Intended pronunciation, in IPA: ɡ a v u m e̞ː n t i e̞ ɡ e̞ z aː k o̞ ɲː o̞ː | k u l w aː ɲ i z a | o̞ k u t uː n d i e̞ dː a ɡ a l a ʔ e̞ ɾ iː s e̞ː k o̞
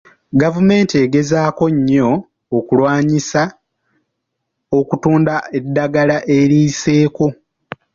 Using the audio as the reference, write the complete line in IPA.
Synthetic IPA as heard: ɡ a v u m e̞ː n t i e̞ ɡ e̞ z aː k o̞ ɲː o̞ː | k u l w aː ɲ i s a | o̞ k u t uː n d a e̞ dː a ɡ a l a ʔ e̞ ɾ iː s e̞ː k o̞